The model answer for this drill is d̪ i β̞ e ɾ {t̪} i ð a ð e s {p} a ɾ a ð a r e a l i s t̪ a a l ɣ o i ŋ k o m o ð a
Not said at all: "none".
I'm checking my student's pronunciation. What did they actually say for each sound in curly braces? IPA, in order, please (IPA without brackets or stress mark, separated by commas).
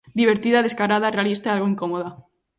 t̪, k